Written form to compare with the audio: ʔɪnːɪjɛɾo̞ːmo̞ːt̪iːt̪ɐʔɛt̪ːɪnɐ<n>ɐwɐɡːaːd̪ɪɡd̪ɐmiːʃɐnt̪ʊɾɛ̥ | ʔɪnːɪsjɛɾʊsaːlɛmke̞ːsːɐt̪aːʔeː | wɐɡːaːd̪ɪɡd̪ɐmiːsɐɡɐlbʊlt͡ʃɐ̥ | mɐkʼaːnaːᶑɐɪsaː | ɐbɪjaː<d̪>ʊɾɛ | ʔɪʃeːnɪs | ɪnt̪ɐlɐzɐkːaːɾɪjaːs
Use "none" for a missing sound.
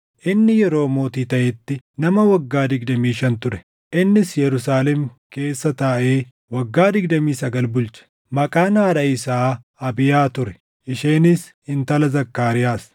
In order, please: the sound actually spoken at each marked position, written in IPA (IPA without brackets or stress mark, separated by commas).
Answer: m, t̪